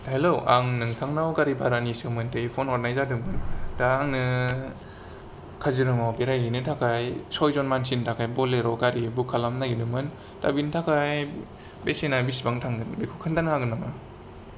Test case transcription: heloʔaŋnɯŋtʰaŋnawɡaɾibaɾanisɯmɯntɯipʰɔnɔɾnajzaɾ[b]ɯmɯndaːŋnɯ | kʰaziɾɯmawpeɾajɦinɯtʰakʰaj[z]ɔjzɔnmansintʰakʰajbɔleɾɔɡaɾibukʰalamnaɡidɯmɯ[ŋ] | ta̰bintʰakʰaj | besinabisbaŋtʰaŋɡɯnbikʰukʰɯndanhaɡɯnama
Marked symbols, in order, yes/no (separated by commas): no, no, no